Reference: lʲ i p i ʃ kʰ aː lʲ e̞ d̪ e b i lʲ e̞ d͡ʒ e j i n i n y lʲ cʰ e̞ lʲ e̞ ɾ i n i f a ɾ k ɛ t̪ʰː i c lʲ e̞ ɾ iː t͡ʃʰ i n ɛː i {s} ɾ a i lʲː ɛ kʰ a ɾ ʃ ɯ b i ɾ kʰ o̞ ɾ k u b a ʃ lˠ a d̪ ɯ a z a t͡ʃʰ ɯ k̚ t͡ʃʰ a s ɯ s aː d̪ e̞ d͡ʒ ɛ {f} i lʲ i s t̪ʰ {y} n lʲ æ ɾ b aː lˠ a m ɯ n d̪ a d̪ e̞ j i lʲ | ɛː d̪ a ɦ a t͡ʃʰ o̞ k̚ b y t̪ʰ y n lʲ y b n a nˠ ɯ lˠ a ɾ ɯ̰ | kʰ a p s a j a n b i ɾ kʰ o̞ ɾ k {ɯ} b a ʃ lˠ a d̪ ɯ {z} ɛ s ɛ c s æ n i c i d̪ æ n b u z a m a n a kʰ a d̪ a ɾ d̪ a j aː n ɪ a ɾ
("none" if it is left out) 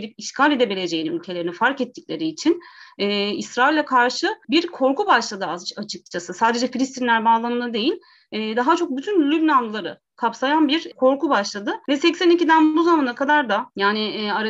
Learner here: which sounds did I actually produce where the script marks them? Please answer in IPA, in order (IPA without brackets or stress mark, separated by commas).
s, f, i, u, v